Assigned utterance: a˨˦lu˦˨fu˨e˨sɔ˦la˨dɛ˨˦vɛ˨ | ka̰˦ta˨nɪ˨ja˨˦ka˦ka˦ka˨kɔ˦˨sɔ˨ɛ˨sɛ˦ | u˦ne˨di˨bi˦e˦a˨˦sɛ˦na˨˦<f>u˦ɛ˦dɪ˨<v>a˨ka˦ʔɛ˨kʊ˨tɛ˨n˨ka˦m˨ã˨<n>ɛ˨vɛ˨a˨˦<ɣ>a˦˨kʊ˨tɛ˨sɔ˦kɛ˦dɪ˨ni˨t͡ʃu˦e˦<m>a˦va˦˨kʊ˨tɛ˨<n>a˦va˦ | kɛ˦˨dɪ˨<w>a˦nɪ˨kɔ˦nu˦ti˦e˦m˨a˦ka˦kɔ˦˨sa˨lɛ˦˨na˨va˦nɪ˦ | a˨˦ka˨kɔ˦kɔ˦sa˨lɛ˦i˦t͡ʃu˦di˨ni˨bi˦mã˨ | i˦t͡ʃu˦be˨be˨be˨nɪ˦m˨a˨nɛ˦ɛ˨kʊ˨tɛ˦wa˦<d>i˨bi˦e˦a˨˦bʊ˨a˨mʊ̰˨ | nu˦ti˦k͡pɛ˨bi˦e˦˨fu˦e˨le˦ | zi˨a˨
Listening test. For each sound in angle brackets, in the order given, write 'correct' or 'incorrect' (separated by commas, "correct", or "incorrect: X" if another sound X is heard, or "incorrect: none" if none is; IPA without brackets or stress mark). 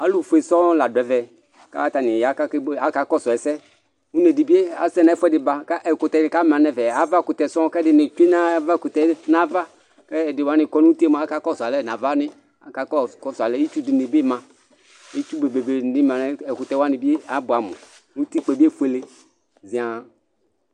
correct, incorrect: b, correct, incorrect: v, incorrect: n, correct, correct, incorrect: n